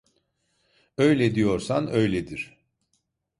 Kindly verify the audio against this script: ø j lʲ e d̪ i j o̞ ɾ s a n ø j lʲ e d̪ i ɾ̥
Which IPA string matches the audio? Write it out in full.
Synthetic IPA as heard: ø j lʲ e d̪ i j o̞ ɾ s a n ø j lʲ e d̪ i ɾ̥